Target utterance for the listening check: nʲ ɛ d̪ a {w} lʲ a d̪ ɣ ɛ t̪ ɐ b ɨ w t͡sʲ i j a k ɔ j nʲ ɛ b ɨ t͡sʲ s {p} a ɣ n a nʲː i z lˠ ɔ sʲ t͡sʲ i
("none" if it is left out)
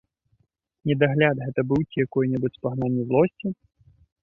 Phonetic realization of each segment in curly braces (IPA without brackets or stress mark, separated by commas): ɣ, p